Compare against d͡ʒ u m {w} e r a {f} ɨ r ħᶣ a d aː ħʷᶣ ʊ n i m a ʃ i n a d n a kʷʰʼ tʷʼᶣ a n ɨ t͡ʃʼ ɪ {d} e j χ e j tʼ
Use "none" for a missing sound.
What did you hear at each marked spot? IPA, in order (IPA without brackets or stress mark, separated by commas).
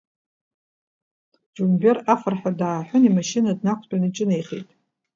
b, f, n